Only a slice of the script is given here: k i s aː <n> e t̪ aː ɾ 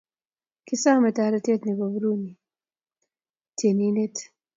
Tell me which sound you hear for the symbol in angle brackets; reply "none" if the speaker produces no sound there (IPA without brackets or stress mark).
m